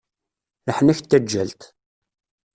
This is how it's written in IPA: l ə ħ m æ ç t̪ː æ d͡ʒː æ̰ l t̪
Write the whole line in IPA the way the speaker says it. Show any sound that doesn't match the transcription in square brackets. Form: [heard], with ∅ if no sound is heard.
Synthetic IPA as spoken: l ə ħ [n] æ ç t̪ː æ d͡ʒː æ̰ l t̪

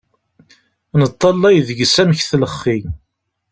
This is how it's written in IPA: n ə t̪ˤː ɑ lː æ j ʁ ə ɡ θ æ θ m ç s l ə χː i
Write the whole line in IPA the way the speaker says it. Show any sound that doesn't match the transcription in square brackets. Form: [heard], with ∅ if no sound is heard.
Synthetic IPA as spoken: n ə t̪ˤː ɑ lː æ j [ð] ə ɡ [s] æ [∅] m ç [θ] l ə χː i

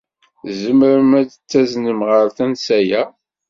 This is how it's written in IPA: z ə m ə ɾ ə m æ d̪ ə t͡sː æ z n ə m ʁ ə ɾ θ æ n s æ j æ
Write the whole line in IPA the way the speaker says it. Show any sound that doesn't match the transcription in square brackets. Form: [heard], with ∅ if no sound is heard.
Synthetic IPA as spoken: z ə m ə ɾ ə m æ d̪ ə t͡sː æ z n ə m ʁ ə ɾ θ æ n s æ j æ

